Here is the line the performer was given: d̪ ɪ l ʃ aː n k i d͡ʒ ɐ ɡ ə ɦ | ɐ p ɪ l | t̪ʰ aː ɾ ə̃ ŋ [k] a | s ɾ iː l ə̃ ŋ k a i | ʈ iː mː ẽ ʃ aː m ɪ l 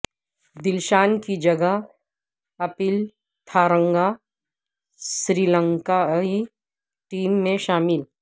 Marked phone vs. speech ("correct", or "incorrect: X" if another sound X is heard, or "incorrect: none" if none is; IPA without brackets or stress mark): incorrect: ɡ